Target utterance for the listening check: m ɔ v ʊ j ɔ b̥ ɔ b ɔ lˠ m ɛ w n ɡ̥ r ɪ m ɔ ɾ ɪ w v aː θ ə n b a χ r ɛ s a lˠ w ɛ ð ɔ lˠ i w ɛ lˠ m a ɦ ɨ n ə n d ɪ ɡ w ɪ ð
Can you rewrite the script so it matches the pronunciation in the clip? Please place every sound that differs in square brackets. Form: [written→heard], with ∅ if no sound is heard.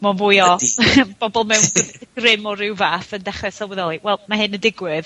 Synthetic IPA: m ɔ v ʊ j ɔ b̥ ɔ b ɔ lˠ m ɛ w n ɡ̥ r ɪ m ɔ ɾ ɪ w v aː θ ə n [b→d] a χ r ɛ s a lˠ w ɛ ð ɔ lˠ i w ɛ lˠ m a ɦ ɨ n ə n d ɪ ɡ w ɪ ð